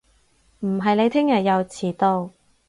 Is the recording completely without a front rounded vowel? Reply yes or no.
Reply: yes